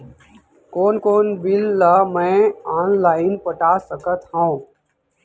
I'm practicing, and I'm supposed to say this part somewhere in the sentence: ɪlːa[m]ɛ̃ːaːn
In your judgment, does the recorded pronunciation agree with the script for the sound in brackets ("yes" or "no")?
yes